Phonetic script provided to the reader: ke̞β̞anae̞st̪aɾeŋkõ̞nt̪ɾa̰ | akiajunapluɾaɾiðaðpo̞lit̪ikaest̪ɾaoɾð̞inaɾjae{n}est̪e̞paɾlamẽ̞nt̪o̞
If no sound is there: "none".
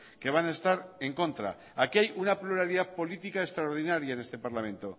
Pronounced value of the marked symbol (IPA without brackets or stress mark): n